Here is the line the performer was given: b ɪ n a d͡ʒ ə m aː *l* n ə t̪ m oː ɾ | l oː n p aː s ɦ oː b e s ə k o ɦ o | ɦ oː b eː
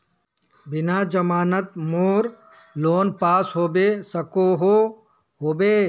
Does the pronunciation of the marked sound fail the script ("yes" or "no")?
yes